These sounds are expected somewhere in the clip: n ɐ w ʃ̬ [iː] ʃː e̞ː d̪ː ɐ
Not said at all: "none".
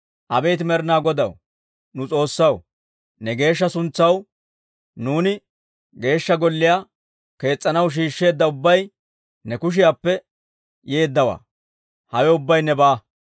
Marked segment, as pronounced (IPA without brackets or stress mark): iː